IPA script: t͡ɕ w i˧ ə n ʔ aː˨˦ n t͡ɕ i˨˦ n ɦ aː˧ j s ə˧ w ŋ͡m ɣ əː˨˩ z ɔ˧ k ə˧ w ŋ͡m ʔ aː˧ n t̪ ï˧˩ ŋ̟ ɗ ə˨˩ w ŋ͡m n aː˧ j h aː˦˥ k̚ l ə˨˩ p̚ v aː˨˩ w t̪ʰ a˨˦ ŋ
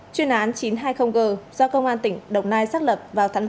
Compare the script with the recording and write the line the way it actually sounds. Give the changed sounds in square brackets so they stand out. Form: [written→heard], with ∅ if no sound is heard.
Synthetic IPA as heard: t͡ɕ w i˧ ə n ʔ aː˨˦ n t͡ɕ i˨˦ n ɦ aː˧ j [s→x] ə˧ w ŋ͡m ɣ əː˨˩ z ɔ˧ k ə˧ w ŋ͡m ʔ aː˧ n t̪ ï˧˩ ŋ̟ ɗ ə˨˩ w ŋ͡m n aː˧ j [h→s] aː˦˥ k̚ l ə˨˩ p̚ v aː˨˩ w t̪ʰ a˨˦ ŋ